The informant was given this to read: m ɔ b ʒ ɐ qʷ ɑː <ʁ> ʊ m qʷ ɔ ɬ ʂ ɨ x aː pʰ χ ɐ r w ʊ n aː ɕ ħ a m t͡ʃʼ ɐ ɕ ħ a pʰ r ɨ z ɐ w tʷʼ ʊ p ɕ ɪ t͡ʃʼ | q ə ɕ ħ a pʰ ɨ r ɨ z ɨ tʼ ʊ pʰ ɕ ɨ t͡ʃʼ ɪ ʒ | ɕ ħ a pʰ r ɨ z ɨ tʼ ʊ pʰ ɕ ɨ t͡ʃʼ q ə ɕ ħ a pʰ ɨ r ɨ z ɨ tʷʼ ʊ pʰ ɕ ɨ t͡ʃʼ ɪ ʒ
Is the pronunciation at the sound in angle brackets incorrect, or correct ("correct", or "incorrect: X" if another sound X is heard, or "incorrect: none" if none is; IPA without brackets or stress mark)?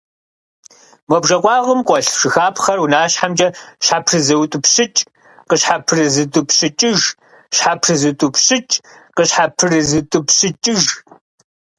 correct